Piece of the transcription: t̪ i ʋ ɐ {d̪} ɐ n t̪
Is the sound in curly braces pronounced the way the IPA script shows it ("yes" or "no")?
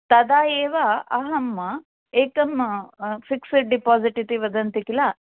yes